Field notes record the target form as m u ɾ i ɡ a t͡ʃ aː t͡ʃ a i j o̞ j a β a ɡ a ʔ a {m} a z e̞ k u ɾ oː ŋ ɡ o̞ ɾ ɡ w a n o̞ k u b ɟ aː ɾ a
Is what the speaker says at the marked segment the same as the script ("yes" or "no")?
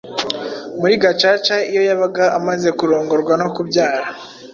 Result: yes